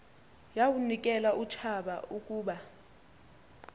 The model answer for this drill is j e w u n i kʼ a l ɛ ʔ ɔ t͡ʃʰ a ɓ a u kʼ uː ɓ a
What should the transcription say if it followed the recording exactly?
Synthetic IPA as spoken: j a w u n i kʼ ɛ l a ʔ u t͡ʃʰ a ɓ a u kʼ uː ɓ a